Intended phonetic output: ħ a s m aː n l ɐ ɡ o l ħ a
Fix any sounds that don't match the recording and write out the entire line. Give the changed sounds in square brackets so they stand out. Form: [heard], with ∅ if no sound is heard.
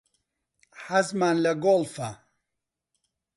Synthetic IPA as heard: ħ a [z] m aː n l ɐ ɡ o l [f] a